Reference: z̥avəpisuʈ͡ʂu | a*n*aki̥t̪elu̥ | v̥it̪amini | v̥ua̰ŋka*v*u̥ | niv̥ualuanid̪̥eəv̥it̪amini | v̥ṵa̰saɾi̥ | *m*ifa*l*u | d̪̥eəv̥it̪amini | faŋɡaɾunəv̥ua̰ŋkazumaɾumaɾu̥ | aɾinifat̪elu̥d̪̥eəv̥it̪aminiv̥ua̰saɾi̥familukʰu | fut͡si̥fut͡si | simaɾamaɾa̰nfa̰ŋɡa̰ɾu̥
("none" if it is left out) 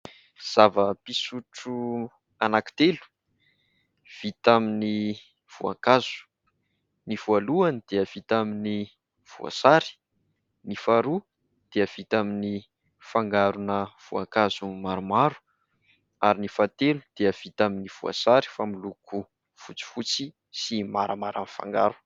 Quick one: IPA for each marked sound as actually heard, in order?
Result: n, z, n, ɾ

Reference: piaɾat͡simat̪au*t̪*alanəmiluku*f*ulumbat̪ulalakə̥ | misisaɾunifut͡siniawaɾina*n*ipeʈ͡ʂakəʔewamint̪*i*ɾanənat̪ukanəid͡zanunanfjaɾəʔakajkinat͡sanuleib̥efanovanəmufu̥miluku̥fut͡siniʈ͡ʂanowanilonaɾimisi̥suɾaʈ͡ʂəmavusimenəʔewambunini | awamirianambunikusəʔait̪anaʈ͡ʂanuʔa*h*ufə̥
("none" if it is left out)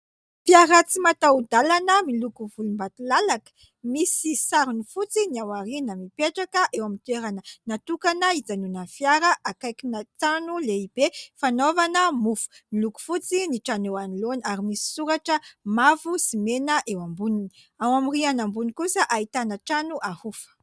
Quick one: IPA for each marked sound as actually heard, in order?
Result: d̪, v, m, e, h

